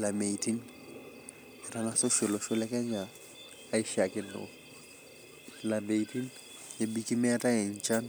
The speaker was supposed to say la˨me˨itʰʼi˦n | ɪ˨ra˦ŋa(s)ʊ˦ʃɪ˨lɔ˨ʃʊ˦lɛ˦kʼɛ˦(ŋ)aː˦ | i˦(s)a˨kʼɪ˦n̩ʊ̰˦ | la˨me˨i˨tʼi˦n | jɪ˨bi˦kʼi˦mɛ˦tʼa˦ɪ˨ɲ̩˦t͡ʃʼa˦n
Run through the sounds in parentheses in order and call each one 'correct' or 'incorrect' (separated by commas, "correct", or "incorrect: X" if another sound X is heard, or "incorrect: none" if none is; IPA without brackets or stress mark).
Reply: correct, incorrect: ɲ, incorrect: ʃ